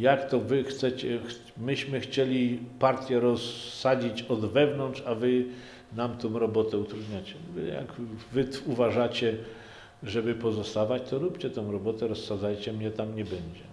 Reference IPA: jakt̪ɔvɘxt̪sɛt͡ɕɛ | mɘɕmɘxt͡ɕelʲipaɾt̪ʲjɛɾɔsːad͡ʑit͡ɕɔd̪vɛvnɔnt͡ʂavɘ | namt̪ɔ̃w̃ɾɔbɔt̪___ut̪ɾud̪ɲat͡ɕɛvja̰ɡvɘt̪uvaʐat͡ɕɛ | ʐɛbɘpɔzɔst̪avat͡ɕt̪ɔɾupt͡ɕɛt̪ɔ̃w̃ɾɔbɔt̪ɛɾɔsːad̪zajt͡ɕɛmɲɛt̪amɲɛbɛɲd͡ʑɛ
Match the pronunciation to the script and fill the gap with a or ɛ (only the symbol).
ɛ